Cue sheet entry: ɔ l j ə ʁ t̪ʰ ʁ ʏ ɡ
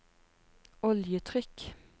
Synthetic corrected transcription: ɔ l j ə t̪ʰ ʁ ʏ k